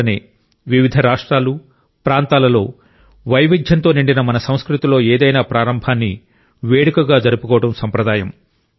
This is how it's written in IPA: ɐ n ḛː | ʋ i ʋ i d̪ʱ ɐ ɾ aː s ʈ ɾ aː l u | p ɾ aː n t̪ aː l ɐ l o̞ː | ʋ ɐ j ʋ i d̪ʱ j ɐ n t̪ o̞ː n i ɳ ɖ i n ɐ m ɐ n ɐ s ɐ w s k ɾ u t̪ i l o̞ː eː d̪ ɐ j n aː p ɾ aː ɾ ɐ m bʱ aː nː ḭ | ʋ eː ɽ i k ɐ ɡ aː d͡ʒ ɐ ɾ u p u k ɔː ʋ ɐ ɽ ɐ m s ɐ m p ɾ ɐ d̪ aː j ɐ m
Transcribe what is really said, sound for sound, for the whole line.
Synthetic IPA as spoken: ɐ n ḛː | ʋ i ʋ i d̪ʱ ɐ ɾ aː ʂ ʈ ɾ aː l u | p ɾ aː n t̪ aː l ɐ l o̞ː | ʋ ɐ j ʋ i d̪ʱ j ɐ n t̪ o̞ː n i ɳ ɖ i n ɐ m ɐ n ɐ s ɐ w s k ɾ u t̪ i l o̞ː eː d̪ ɐ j n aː p ɾ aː ɾ ɐ m bʱ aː nː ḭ | ʋ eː ɽ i k ɐ ɡ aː d͡ʒ ɐ ɾ u p u k ɔː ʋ ɐ ɽ ɐ m s ɐ m p ɾ ɐ d̪ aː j ɐ m